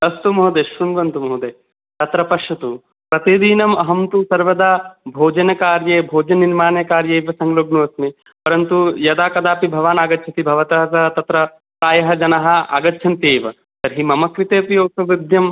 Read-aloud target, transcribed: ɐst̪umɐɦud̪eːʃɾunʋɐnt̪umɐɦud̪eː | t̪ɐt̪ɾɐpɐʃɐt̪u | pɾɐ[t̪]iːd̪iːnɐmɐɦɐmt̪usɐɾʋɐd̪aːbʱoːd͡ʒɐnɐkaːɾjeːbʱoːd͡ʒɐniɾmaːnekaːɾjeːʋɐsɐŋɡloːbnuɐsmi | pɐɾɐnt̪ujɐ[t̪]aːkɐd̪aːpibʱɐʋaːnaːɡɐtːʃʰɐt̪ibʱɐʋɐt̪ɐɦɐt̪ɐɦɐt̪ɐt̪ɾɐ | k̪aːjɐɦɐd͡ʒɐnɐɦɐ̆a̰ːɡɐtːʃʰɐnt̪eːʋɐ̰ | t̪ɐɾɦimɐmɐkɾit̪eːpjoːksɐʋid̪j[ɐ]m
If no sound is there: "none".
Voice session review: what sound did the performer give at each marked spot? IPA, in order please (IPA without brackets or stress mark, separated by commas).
t̪, d̪, ɐ